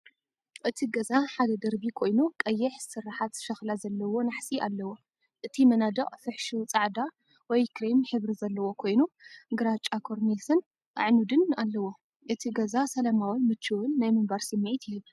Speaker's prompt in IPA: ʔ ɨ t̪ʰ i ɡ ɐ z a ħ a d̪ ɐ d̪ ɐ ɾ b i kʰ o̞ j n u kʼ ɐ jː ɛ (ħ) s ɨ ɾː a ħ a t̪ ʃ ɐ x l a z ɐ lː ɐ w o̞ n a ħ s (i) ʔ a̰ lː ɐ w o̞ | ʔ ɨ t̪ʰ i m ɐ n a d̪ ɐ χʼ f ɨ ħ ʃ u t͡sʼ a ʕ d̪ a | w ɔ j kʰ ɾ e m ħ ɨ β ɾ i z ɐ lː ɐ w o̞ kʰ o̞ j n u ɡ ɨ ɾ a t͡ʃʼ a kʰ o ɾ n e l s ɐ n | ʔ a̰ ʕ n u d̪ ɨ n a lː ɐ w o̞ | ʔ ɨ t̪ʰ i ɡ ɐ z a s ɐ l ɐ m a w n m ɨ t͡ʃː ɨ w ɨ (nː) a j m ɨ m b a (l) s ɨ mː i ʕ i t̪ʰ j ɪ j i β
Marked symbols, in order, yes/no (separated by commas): yes, yes, yes, no